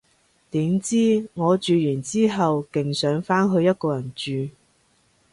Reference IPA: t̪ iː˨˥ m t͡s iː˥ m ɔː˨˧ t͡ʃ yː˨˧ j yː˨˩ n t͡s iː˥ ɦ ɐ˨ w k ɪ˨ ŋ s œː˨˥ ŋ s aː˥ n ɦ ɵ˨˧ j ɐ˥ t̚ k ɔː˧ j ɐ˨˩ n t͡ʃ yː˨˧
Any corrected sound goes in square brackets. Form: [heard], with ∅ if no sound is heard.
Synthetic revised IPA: t̪ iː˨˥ m t͡s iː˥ [ŋ] ɔː˨˧ t͡ʃ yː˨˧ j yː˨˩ n t͡s iː˥ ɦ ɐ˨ w k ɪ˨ ŋ s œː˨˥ ŋ [f] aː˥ n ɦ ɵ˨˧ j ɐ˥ t̚ k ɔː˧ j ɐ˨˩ n t͡ʃ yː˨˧